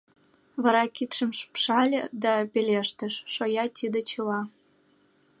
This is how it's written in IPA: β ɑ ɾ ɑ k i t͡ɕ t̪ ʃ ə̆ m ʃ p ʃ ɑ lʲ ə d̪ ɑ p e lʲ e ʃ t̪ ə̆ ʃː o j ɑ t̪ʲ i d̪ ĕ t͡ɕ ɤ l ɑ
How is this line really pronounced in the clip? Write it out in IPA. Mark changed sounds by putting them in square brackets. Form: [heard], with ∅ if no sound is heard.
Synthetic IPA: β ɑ ɾ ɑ k i [∅] t̪ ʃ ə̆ m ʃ p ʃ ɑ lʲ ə d̪ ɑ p e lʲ e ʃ t̪ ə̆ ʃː o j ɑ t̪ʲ i d̪ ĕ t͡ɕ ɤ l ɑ